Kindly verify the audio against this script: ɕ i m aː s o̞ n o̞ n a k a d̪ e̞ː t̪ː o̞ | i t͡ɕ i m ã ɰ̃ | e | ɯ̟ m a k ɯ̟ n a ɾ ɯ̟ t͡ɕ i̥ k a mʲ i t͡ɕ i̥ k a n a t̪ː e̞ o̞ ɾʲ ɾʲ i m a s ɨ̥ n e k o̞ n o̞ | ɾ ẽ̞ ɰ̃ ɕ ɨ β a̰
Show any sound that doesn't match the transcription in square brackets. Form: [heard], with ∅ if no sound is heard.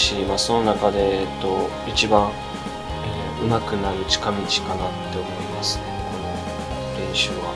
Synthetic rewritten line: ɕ i m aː s o̞ n o̞ n a k a d̪ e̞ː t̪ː o̞ | i t͡ɕ i [b] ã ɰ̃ | e | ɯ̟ m a k ɯ̟ n a ɾ ɯ̟ t͡ɕ i̥ k a mʲ i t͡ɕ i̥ k a n a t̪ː e̞ o̞ ɾʲ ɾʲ i m a s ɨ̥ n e k o̞ n o̞ | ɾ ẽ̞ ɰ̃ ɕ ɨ β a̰